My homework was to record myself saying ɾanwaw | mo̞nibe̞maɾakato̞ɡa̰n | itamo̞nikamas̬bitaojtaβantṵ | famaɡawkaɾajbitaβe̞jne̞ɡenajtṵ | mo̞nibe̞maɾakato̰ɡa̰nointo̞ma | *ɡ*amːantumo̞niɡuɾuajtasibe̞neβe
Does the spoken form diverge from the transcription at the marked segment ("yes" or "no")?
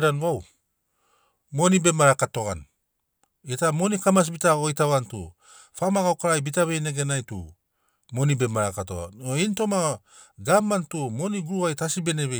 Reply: no